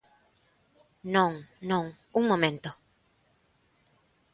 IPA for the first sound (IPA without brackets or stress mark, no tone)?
n